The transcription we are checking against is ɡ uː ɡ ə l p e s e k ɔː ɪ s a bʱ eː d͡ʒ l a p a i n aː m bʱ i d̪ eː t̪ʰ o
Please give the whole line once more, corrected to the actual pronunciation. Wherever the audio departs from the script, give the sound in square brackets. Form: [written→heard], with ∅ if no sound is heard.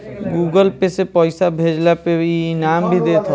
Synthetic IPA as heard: ɡ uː ɡ ə l p e s e [k→p] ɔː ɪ s a bʱ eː d͡ʒ l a p [a→e] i n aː m bʱ i d̪ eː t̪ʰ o